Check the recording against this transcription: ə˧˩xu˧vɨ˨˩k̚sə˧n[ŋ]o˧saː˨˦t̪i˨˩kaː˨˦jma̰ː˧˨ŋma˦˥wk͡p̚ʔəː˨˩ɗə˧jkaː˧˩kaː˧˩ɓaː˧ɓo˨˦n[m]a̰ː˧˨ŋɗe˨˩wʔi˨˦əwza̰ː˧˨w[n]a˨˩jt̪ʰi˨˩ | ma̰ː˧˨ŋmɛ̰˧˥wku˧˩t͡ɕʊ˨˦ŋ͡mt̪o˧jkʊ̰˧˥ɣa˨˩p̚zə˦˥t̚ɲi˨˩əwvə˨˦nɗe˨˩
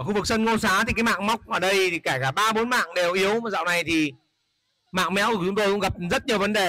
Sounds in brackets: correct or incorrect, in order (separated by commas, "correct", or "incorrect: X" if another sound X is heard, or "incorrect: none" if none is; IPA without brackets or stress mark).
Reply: correct, correct, correct